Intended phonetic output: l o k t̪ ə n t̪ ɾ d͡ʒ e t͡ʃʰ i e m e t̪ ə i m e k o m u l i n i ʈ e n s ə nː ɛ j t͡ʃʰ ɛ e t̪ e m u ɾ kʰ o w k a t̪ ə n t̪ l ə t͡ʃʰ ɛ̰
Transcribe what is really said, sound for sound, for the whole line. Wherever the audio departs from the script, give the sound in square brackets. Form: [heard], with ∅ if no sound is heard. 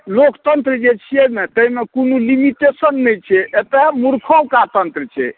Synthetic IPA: l o k t̪ ə n t̪ ɾ d͡ʒ e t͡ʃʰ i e m e t̪ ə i m e k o [n] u l i [m] i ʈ e [∅] s ə nː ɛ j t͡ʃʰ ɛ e t̪ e m u ɾ kʰ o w k a t̪ ə n t̪ [ɾ] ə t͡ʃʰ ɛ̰